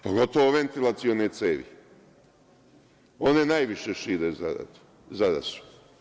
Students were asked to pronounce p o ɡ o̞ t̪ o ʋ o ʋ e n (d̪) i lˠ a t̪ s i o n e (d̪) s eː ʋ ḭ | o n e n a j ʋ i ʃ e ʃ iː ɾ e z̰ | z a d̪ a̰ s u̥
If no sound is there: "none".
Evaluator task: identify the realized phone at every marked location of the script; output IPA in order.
t̪, t̪

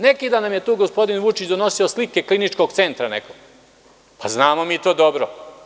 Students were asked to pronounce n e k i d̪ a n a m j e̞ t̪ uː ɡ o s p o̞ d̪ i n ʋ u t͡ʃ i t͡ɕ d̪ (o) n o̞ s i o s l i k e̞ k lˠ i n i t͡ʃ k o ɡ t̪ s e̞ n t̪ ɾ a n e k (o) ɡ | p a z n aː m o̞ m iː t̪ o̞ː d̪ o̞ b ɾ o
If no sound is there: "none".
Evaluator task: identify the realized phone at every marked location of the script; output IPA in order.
o, o

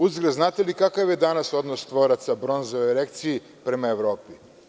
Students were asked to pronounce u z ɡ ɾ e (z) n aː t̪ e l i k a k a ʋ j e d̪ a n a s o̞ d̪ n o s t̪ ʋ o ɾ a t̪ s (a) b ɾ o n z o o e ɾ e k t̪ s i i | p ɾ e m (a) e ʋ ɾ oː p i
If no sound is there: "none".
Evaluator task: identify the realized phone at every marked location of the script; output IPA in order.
z, a, a

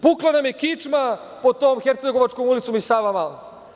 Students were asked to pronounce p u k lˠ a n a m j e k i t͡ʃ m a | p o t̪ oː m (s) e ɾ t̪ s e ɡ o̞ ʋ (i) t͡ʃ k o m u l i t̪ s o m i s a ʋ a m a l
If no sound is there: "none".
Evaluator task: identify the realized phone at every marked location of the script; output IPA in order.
x, a

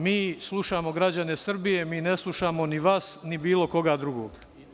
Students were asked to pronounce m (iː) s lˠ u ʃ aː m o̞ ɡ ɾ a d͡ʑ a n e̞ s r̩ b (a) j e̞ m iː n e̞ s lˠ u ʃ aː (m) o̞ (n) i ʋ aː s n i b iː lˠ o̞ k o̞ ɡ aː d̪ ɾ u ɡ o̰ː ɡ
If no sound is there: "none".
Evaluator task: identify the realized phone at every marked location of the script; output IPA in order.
iː, i, m, n

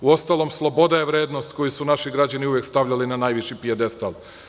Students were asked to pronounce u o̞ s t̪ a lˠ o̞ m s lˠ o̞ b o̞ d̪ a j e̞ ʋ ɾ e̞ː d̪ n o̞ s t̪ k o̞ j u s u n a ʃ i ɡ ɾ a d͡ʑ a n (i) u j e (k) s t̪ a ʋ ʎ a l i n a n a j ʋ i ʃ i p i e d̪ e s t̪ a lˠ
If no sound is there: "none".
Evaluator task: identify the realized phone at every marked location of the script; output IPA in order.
i, k

